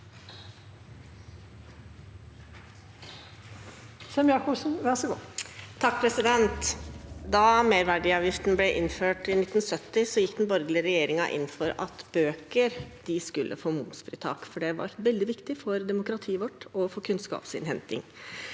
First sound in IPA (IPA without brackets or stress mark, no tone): s